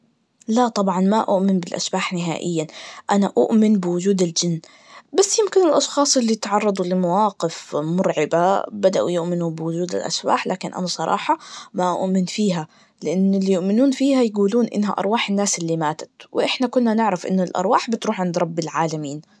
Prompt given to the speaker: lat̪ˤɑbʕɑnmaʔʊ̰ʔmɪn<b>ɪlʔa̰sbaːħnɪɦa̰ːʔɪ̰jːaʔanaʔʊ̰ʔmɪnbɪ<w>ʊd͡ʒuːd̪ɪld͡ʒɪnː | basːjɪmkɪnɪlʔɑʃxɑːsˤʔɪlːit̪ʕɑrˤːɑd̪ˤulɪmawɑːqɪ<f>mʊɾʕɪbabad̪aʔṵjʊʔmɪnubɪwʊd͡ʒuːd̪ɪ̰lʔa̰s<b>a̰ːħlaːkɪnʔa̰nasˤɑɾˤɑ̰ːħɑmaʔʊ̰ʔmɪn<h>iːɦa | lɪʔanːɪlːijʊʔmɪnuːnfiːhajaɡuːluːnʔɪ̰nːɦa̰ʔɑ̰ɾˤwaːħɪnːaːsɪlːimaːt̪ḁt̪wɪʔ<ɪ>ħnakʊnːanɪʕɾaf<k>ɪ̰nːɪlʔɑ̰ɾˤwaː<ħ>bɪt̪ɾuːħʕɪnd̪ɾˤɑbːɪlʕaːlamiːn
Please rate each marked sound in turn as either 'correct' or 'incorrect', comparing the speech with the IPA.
correct, correct, correct, correct, incorrect: f, correct, incorrect: ʔ, correct

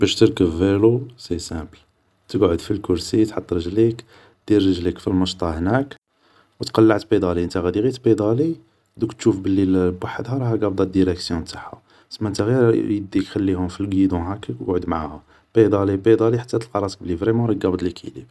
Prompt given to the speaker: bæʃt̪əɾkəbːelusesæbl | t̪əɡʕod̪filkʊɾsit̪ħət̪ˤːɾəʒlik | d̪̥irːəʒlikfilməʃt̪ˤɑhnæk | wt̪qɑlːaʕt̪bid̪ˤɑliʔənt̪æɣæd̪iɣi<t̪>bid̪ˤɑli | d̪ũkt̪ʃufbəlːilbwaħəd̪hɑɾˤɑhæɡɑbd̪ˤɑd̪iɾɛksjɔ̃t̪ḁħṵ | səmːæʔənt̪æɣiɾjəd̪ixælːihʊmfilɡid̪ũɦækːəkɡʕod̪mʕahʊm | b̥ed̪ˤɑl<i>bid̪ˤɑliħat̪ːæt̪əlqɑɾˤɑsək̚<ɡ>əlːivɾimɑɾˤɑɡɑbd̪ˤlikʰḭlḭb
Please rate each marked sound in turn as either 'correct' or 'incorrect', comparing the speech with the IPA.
correct, correct, incorrect: b

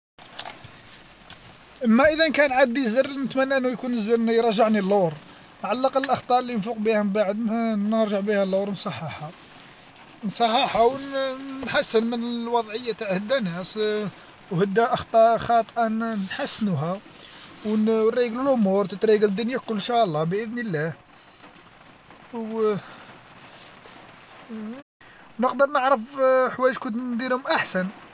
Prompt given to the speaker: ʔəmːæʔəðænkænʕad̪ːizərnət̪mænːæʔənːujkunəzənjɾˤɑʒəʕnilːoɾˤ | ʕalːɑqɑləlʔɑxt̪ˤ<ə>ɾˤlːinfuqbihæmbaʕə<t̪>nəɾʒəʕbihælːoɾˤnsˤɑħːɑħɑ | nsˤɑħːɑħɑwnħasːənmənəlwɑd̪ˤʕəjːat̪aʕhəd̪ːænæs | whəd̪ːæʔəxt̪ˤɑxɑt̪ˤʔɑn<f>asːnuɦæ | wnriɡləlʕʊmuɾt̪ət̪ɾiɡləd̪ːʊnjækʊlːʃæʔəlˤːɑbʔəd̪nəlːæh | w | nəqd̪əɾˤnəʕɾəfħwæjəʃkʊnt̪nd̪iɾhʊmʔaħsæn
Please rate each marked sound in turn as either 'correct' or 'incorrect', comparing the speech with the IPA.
incorrect: ɑ, incorrect: d̪, incorrect: ħ

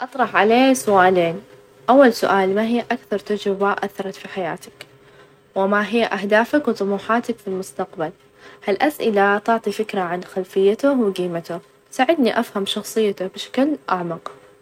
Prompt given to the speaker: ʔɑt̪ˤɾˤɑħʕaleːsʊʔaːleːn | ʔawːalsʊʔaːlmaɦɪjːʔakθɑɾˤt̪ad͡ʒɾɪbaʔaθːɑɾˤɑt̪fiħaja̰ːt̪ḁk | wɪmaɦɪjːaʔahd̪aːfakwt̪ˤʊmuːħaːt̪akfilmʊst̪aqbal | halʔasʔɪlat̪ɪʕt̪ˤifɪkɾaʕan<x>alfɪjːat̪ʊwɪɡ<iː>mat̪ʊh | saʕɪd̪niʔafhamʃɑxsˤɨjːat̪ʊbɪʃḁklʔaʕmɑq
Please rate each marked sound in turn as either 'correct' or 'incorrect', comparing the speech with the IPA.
correct, correct

